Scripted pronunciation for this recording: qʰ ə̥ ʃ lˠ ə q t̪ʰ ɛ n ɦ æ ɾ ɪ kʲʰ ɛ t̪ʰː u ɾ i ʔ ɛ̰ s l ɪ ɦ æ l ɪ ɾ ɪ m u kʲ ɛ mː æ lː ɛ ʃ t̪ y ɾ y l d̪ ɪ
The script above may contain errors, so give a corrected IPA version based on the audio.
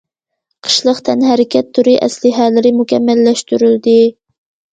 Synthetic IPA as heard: qʰ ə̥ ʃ lˠ ə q t̪ʰ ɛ n ɦ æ ɾ ɪ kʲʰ ɛ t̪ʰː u ɾ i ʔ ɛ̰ s l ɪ ɦ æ l ɪ ɾ ɪ m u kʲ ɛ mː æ lː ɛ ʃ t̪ y ɾ y l d̪ ɪ